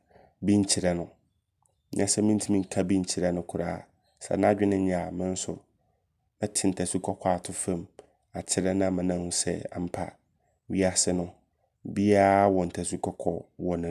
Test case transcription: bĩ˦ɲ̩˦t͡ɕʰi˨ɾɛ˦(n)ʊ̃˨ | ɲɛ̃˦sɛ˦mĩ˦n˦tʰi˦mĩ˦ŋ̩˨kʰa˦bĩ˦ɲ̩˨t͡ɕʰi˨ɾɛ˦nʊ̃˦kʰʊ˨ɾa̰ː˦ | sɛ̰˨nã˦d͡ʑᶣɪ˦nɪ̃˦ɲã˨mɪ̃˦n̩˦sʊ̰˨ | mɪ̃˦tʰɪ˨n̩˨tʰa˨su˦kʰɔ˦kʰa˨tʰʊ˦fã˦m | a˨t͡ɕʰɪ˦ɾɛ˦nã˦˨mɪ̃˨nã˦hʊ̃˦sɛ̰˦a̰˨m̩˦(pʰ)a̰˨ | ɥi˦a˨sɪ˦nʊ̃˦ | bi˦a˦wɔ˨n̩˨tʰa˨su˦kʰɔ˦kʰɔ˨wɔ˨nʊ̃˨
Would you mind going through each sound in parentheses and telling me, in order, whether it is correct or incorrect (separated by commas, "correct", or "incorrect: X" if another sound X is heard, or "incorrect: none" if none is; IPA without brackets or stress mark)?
correct, correct